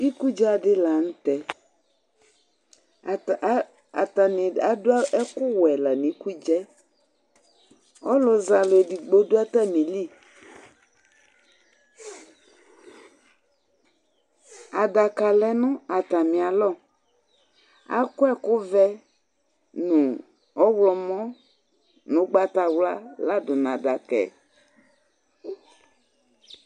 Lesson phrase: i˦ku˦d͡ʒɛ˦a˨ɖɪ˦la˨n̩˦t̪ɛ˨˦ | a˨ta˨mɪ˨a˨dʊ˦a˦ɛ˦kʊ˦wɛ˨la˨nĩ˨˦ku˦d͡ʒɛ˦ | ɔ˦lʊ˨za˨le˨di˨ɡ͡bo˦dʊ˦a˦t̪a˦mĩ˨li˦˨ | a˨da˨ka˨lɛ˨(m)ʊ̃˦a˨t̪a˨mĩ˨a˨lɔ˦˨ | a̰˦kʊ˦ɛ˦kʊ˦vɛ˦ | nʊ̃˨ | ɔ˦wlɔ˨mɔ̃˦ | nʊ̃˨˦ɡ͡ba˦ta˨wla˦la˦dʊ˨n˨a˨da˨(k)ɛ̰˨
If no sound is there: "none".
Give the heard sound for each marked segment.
n, k

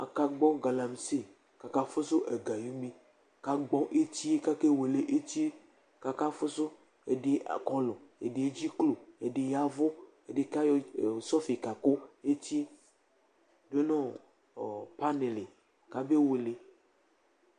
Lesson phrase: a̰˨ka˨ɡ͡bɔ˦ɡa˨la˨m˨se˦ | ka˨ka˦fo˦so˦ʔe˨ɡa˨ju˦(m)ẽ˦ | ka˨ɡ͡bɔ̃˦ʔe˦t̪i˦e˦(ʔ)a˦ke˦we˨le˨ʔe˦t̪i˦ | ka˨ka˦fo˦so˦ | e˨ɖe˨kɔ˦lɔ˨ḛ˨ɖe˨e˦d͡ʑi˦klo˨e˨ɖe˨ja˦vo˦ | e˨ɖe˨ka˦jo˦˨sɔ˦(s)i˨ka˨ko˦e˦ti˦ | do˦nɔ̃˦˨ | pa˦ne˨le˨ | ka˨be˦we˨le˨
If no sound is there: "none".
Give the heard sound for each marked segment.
m, k, f

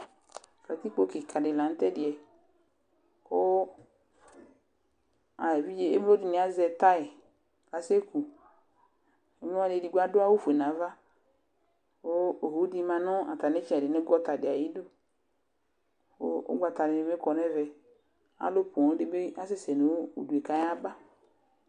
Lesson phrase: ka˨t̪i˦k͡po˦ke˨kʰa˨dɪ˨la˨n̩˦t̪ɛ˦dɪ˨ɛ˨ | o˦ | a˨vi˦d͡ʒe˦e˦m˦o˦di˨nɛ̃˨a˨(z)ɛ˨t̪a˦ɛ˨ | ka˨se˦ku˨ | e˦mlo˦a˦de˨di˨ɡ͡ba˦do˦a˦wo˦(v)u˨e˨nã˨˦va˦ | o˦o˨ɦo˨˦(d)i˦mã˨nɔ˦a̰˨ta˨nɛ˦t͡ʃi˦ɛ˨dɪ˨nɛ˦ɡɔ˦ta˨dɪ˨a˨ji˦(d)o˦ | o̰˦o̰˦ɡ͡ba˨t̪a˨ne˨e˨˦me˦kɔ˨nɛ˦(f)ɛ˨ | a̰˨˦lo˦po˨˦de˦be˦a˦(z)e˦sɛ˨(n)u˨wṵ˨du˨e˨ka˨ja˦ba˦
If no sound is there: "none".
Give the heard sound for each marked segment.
z, f, d, d, v, s, n

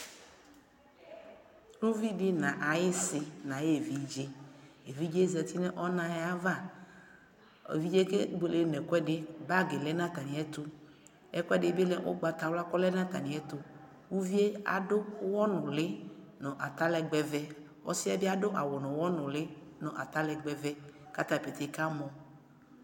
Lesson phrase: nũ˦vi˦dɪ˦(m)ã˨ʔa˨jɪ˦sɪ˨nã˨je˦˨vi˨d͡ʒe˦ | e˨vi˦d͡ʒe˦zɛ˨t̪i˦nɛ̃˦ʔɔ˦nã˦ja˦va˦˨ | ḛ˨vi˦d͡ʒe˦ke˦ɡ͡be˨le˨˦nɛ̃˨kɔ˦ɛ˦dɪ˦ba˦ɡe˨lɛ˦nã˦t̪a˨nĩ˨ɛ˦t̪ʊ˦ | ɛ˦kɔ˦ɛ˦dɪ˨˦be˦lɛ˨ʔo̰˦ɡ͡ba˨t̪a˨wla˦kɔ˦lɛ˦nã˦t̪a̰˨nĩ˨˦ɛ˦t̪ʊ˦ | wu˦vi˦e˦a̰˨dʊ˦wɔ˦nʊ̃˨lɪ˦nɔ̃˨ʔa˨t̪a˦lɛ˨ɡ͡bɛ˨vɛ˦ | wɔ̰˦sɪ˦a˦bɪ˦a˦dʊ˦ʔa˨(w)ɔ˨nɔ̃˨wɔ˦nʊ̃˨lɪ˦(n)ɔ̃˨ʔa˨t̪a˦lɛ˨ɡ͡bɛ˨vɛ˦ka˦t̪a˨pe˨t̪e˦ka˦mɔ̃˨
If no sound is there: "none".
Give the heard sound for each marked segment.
n, w, n

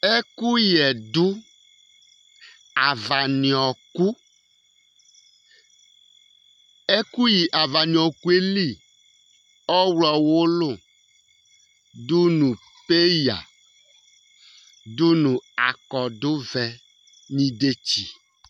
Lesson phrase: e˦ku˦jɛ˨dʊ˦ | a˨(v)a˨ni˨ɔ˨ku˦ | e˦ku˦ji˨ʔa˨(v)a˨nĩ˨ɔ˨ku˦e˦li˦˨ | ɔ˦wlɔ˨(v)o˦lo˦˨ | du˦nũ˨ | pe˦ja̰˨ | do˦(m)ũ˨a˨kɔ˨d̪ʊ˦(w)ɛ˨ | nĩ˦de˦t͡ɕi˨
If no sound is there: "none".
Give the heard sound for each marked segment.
v, v, w, n, v

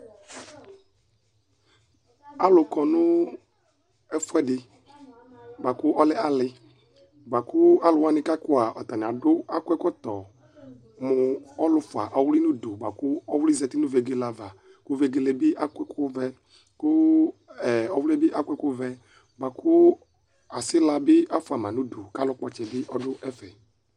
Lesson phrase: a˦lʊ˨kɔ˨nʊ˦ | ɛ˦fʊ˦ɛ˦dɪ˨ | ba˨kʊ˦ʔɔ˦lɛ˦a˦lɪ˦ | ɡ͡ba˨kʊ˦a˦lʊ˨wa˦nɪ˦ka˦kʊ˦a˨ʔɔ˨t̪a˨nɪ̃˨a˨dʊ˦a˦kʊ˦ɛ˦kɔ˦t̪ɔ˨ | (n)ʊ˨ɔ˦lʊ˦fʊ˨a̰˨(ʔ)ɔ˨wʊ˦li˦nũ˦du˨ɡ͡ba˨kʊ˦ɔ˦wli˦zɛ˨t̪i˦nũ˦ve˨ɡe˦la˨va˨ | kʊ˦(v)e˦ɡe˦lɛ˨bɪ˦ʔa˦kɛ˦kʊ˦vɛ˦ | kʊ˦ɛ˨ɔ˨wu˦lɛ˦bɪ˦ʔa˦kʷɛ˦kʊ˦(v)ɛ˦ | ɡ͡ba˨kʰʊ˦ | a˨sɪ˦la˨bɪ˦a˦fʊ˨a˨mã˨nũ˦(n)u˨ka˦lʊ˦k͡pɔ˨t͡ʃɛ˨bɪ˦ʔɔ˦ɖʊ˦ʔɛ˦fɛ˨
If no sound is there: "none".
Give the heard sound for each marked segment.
m, ʔ, v, v, d

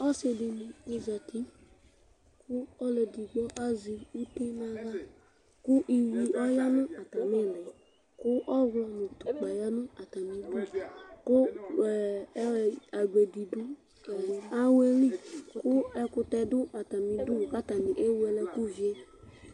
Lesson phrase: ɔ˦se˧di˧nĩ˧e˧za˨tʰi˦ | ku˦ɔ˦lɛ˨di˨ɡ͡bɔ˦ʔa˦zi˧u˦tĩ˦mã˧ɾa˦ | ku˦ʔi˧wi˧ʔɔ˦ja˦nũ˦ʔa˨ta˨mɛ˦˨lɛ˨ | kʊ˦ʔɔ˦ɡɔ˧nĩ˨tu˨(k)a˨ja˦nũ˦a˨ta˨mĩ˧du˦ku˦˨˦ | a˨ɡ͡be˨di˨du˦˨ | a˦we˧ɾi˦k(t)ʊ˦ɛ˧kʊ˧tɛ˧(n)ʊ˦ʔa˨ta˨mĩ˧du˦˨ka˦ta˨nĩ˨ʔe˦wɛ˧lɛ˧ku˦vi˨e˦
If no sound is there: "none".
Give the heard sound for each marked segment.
k͡p, k, d

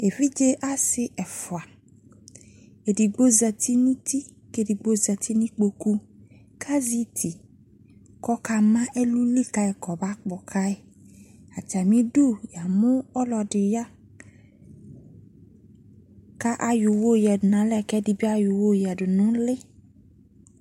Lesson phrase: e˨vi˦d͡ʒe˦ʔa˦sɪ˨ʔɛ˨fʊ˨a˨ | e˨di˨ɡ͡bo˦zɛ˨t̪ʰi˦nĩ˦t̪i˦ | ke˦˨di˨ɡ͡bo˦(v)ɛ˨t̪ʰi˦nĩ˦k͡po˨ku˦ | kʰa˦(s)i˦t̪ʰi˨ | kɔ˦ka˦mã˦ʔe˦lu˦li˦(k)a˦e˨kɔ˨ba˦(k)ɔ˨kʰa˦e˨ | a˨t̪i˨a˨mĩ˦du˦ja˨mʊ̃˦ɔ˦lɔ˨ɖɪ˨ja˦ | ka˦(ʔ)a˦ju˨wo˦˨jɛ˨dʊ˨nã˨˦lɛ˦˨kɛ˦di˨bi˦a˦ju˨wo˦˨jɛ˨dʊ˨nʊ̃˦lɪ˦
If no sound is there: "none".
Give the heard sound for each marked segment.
z, z, k, k͡p, ʔ

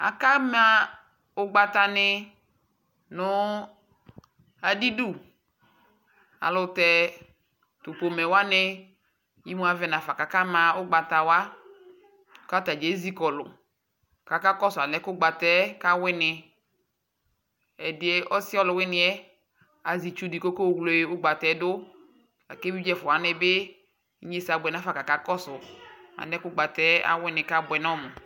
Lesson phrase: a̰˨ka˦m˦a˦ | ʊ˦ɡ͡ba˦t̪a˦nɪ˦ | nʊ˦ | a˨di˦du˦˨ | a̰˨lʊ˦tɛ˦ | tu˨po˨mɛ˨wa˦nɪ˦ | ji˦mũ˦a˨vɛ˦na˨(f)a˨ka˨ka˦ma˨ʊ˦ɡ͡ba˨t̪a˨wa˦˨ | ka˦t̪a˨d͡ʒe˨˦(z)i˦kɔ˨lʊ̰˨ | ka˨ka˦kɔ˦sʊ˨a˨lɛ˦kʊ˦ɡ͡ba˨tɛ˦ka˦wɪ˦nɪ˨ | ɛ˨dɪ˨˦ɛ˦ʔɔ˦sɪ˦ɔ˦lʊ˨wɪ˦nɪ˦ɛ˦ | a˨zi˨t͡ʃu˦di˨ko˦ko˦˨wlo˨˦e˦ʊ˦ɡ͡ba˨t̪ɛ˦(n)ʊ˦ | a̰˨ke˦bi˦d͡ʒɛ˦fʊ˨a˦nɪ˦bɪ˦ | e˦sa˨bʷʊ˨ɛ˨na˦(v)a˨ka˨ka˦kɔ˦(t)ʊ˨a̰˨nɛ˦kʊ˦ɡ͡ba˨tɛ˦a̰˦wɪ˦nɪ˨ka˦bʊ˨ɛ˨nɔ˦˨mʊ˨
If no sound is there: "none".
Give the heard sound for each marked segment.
f, z, d, f, s

